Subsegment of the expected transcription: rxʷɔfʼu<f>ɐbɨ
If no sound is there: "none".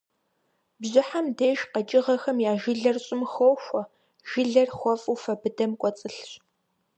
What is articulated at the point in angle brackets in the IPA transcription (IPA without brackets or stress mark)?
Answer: f